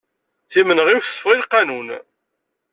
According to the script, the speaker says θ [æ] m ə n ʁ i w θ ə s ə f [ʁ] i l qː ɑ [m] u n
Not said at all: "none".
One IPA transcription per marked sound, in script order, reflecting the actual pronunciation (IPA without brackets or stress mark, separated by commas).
i, ʁ, n